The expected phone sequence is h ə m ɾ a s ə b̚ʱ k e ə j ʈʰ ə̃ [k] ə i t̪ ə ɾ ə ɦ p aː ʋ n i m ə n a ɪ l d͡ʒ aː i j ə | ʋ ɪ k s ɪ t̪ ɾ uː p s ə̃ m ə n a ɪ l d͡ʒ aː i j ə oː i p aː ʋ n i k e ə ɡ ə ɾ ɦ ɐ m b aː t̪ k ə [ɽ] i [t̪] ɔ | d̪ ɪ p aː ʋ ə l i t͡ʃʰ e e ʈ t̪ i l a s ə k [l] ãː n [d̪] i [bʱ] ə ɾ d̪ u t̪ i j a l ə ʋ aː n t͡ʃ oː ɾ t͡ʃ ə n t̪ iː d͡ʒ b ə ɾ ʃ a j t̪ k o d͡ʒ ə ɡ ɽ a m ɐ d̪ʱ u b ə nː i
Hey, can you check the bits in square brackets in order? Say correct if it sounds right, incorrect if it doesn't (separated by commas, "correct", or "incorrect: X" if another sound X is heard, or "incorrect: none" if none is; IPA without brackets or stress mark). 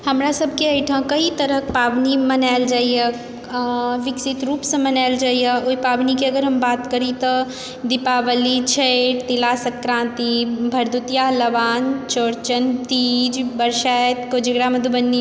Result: correct, incorrect: ɾ, correct, incorrect: ɾ, incorrect: t̪, correct